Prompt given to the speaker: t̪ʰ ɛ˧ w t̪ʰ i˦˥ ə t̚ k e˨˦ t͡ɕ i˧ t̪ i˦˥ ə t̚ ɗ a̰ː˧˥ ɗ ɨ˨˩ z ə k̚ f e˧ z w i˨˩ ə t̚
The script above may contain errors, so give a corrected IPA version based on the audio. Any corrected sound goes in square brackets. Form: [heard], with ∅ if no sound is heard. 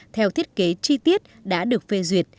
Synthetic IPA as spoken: t̪ʰ ɛ˧ w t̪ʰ i˦˥ ə t̚ k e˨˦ t͡ɕ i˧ t̪ i˦˥ ə t̚ ɗ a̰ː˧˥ ɗ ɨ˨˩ [∅] ə k̚ f e˧ z w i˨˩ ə t̚